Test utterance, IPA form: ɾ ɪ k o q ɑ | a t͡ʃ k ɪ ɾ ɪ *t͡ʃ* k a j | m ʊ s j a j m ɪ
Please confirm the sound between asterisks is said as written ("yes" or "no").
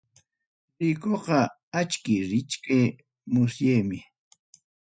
yes